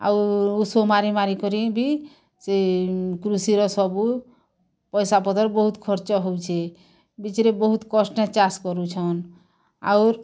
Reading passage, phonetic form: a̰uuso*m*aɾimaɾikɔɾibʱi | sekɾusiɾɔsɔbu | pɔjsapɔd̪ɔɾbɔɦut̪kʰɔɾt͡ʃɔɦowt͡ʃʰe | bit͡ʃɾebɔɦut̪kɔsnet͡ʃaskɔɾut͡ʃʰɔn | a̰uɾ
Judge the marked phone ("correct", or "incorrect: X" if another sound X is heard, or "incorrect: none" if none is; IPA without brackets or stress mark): correct